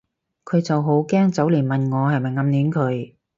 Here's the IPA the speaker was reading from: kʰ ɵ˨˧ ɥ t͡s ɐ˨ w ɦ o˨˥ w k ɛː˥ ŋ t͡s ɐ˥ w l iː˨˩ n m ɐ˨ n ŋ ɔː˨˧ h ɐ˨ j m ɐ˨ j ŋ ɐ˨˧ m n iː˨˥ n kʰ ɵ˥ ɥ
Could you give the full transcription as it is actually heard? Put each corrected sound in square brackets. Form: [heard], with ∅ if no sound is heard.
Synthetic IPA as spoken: kʰ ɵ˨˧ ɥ t͡s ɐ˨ w ɦ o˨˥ w k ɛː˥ ŋ t͡s [ɐ˨˥] w l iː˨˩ n m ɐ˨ n ŋ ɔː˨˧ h ɐ˨ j m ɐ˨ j ŋ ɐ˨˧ m n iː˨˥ n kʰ [ɵ˨˧] ɥ